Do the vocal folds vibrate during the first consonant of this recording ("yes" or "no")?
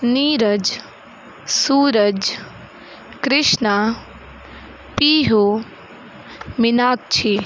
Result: yes